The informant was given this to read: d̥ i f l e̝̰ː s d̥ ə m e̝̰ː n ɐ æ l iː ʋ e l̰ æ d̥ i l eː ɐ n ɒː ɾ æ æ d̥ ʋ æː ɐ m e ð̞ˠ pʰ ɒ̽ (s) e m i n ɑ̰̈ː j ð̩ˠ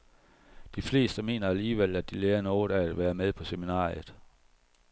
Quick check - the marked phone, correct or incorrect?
correct